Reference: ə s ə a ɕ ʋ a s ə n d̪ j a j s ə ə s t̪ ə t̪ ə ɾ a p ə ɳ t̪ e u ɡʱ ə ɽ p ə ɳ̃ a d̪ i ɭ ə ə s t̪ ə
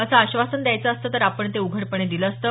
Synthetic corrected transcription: ə s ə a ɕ ʋ a s ə n d̪ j a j t͡s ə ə s t̪ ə t̪ ə ɾ a p ə ɳ t̪ e u ɡʱ ə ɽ p ə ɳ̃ e d̪ i l ə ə s t̪ ə